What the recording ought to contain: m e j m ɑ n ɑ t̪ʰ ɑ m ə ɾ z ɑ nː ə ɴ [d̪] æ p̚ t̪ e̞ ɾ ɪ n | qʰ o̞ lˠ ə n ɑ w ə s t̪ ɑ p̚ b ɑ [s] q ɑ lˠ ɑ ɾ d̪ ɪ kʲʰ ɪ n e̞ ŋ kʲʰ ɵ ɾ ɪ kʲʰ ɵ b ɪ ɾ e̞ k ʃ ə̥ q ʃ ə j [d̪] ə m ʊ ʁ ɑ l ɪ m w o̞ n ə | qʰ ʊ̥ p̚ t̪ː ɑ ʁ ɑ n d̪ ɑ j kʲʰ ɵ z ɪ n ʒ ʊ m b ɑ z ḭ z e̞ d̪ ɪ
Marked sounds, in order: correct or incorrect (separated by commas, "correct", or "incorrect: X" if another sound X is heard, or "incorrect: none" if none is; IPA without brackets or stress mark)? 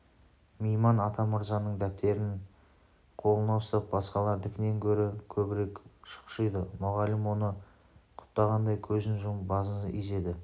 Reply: correct, correct, correct